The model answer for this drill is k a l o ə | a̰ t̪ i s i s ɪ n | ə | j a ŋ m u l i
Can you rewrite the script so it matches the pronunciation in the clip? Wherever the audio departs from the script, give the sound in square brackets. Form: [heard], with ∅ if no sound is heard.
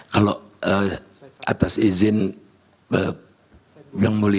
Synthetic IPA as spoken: k a l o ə | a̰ t̪ [a] s i [z] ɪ n | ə | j a ŋ m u l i